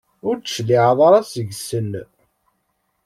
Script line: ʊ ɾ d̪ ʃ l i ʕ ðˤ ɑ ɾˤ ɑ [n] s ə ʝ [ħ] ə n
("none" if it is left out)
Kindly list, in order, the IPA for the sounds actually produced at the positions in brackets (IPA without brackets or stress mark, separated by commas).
none, s